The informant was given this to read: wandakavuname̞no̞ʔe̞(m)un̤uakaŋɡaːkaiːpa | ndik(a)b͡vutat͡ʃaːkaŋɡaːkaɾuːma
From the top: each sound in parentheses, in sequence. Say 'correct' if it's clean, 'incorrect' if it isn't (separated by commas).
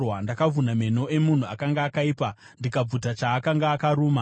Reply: correct, correct